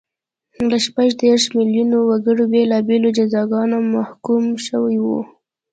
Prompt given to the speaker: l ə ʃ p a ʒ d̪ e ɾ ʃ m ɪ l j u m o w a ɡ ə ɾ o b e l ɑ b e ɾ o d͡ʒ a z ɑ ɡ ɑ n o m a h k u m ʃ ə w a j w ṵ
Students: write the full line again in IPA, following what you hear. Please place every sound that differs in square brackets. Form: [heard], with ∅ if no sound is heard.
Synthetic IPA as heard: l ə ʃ p a ʒ d̪ e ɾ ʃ m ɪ l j u [n] o w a ɡ ə [ɽ] o b e l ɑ b e [l] o d͡ʒ a z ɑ ɡ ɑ n o m a h k u m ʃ ə w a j w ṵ